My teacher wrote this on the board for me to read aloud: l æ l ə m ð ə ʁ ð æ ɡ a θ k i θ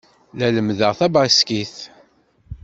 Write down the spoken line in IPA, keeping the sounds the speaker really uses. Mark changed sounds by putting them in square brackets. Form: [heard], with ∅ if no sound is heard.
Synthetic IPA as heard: l æ l ə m ð ə ʁ [θ] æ [b] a [s] k i θ